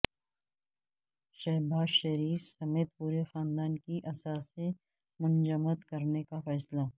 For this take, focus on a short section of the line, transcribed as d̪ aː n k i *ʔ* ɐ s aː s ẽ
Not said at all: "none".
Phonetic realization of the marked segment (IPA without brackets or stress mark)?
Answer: ʔ